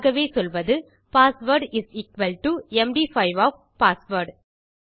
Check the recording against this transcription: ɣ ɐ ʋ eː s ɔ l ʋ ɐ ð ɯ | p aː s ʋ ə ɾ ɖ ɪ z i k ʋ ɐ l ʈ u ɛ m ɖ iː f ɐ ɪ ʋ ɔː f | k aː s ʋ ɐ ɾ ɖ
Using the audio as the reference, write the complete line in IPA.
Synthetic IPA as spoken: ɣ ɐ ʋ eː s ɔ l ʋ ɐ ð ɯ | p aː s ʋ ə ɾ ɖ ɪ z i k ʋ ɐ l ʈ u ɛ m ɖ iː f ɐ ɪ ʋ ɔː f | p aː s ʋ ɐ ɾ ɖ